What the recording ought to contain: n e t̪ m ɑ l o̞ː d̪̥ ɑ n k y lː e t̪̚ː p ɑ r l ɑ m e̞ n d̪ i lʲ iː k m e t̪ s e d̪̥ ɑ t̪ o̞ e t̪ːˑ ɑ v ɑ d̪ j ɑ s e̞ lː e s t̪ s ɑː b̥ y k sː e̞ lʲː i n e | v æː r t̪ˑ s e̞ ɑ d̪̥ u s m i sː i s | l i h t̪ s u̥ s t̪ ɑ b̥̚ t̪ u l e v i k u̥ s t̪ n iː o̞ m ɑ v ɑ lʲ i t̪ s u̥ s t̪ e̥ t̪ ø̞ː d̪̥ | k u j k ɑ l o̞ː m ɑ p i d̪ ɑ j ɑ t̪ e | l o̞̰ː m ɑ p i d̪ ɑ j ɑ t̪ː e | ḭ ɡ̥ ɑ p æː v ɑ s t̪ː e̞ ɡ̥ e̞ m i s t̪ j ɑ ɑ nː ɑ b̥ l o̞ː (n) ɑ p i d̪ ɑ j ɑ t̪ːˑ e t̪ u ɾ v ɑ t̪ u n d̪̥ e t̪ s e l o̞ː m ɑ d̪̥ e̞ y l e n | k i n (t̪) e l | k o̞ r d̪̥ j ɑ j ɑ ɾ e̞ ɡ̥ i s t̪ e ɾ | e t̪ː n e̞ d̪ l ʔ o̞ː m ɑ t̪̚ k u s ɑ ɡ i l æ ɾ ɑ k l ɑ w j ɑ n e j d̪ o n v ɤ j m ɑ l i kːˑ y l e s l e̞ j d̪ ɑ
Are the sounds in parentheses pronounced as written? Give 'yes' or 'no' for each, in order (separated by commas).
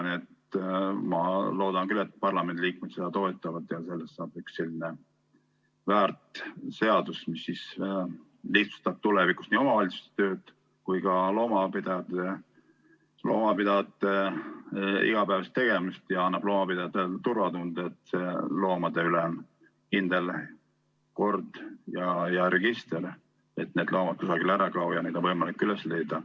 no, no